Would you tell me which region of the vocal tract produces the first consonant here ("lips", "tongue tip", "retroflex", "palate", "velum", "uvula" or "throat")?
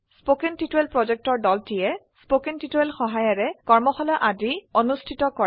tongue tip